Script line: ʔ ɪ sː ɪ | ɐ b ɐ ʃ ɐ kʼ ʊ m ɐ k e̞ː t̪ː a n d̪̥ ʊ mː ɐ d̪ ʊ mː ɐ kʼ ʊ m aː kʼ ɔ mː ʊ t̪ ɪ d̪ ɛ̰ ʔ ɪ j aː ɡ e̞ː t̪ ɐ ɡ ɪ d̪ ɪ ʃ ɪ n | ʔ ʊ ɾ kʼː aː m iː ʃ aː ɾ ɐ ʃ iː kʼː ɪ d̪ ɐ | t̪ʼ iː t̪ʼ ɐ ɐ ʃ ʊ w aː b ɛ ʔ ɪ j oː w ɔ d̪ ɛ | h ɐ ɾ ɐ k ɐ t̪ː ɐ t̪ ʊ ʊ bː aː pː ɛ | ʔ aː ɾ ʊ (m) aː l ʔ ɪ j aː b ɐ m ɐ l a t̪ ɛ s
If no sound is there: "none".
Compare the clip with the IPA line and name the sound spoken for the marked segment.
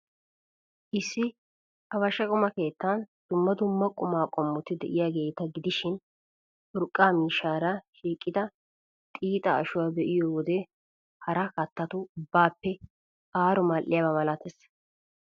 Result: m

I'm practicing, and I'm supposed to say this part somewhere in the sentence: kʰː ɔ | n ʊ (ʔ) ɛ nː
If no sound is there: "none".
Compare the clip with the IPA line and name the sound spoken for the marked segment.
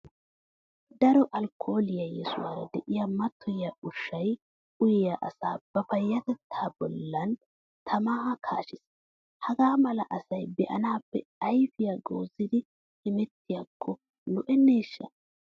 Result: ʔ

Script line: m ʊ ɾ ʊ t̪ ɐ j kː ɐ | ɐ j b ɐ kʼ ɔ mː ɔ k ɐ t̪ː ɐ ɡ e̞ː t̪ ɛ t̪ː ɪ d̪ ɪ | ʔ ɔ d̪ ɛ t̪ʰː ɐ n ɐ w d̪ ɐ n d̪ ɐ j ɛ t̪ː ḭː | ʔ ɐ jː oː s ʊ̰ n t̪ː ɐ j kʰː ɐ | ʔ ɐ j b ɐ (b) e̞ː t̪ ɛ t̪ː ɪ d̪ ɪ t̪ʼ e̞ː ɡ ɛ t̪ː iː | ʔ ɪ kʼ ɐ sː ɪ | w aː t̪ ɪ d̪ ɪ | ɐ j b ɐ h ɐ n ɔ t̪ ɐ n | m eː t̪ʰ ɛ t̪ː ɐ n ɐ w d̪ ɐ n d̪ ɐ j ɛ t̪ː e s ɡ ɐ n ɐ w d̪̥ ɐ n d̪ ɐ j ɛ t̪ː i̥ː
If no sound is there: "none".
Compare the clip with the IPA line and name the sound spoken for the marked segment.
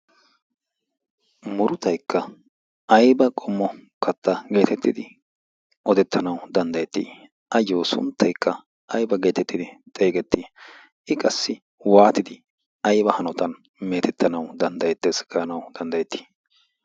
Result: ɡ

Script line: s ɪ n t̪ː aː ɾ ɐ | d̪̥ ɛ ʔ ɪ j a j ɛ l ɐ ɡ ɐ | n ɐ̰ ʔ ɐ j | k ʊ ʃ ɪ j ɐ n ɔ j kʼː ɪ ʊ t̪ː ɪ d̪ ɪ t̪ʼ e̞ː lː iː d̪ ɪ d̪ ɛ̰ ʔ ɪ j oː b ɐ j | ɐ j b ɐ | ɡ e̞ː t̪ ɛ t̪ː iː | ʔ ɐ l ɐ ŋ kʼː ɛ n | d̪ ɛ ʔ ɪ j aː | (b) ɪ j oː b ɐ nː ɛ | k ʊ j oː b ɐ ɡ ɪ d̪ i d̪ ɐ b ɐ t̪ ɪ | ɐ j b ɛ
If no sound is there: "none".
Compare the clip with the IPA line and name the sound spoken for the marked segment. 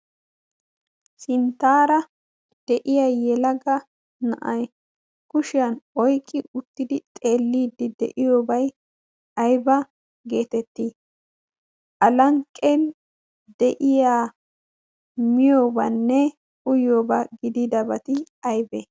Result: m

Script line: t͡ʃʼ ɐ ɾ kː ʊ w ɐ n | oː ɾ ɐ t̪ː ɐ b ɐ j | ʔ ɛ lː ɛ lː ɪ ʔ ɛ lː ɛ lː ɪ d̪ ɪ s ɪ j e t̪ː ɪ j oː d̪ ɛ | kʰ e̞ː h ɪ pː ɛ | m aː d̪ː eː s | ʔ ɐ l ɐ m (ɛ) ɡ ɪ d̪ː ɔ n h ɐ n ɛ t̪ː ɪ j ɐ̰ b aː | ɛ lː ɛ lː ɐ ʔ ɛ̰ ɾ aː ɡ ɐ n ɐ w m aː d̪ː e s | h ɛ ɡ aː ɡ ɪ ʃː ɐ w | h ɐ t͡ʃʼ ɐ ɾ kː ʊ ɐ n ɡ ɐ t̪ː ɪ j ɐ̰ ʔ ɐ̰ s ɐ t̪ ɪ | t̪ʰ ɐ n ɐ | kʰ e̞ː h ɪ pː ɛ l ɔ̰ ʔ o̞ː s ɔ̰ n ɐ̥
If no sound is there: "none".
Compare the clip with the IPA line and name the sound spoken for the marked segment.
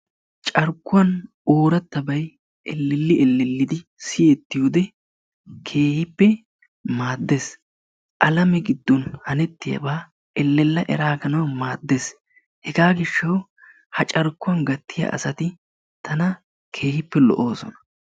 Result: ɛ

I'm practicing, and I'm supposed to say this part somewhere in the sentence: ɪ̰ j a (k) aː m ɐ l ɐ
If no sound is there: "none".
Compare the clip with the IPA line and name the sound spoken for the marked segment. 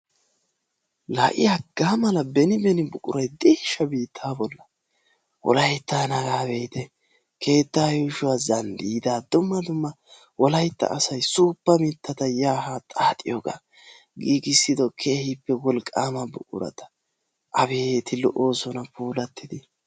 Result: ɡ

